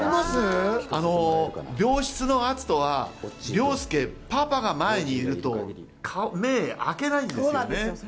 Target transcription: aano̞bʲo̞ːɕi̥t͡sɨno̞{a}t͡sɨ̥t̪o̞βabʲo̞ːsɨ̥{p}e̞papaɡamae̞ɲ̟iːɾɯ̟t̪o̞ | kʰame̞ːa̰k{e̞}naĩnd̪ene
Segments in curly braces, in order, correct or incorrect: correct, incorrect: k, correct

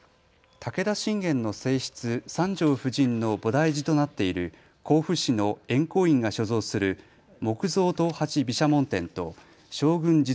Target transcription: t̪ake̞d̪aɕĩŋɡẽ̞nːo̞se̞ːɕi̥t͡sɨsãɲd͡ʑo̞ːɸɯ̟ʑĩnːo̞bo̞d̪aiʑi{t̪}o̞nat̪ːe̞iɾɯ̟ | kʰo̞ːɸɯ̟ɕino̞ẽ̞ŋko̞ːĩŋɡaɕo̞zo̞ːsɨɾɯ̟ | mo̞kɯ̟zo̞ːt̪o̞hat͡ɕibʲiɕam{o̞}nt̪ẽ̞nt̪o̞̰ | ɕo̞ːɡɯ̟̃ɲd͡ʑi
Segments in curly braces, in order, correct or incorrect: correct, incorrect: õ̞

